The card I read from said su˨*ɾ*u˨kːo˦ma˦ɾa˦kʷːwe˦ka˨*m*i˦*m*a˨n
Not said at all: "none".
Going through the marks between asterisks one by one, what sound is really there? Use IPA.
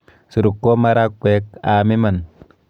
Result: ɾ, m, m

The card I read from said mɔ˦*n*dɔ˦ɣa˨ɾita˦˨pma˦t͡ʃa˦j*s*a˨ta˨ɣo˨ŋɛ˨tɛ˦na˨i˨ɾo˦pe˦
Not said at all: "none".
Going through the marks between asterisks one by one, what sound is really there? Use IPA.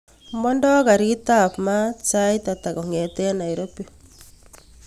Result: n, t

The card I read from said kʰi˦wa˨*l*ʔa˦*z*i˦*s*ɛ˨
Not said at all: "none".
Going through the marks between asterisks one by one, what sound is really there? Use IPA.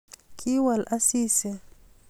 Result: l, s, s

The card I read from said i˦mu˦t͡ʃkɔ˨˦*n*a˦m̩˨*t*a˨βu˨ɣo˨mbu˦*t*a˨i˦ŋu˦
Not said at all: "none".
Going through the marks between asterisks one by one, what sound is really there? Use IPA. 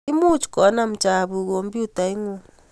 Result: n, t͡ʃ, t

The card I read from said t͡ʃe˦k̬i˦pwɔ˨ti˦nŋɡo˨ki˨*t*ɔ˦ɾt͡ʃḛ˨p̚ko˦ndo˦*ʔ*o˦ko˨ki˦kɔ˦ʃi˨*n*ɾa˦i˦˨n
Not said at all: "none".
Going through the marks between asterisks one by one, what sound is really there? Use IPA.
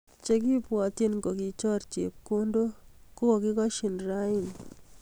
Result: t͡ʃ, k, n

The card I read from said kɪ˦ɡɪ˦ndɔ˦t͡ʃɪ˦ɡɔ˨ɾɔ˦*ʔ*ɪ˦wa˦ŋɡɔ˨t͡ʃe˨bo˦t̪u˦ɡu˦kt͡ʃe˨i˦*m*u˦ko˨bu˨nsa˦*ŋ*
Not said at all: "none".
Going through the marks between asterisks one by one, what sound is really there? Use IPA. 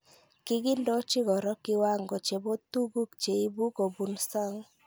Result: k, b, ŋ

